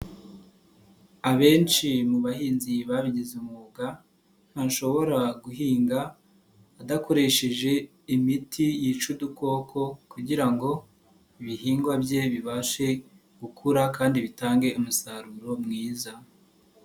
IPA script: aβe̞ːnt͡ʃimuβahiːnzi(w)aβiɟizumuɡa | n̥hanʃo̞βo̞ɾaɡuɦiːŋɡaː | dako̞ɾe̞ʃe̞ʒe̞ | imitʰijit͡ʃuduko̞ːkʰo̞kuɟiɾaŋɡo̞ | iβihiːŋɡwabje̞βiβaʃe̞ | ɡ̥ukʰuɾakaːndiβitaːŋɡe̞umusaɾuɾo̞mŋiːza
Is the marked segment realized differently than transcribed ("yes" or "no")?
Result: yes